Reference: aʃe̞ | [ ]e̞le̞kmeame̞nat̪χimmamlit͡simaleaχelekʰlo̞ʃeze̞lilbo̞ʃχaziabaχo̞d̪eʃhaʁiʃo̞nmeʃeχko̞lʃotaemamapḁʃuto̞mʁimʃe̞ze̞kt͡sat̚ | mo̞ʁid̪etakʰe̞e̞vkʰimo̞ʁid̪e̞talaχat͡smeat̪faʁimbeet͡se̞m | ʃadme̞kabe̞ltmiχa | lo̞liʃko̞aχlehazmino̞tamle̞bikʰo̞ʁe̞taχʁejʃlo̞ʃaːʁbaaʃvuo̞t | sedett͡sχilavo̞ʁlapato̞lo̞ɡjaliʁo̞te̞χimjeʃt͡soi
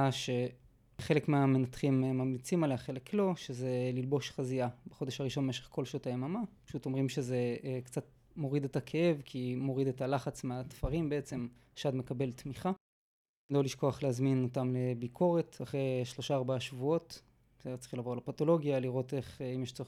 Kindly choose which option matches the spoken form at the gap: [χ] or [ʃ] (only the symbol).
χ